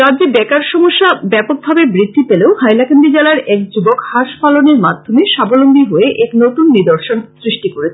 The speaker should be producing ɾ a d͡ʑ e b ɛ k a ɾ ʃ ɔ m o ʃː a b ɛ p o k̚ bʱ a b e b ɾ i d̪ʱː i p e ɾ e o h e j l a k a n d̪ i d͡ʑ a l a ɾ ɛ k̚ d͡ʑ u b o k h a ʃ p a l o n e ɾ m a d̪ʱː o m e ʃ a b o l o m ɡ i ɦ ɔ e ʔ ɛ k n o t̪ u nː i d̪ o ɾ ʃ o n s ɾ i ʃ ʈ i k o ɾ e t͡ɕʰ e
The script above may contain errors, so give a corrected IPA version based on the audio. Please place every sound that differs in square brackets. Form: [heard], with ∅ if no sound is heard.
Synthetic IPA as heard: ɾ a d͡ʑ e b ɛ k a ɾ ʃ ɔ m o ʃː a b ɛ p o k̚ bʱ a b e b ɾ i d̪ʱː i p e [l] e o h [a] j l a k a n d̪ i d͡ʑ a l a ɾ ɛ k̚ d͡ʑ u b o k h a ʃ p a l o n e ɾ m a d̪ʱː o m e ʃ a b o l o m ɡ i ɦ [o] e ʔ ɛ k n o t̪ u nː i d̪ o ɾ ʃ o n s ɾ i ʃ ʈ i k o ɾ e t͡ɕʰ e